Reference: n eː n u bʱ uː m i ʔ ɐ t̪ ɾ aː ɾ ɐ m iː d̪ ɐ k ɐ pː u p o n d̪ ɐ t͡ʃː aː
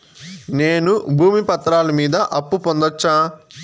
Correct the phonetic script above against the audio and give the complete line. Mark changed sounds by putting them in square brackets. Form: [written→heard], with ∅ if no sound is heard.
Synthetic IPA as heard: n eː n u bʱ uː m i [ʔ→p] ɐ t̪ ɾ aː [ɾ→l] ɐ m iː d̪ ɐ [k→ʔ] ɐ pː u p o n d̪ ɐ t͡ʃː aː